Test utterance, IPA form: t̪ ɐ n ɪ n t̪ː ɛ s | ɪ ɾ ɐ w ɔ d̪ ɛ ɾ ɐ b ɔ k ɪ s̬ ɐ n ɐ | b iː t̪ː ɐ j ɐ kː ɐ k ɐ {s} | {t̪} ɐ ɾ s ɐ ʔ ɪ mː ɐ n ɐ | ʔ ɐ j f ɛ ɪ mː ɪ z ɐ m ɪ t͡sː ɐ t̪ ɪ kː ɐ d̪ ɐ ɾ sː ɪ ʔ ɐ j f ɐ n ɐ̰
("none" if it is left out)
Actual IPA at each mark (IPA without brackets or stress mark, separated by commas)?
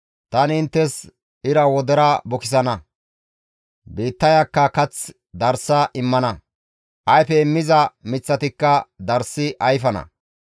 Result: t͡s, d̪